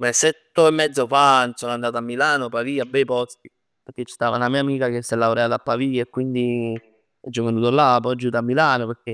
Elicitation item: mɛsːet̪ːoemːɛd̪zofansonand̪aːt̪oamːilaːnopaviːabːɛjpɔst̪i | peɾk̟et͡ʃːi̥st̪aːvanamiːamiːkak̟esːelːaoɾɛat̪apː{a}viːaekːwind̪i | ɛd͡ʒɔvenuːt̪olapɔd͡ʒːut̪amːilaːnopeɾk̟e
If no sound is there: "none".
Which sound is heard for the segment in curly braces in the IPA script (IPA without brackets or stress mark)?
a